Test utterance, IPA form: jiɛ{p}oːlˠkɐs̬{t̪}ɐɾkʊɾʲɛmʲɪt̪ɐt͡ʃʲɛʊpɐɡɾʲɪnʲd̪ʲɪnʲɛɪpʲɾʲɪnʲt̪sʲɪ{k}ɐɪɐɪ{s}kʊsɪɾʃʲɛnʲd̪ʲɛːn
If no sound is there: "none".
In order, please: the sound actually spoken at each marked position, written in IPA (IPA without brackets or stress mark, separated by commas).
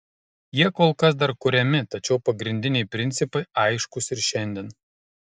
k, d̪, p, ʃ